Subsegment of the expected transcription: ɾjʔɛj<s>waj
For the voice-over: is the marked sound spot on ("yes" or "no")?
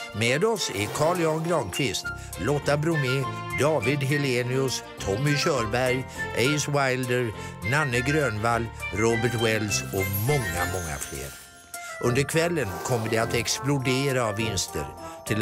yes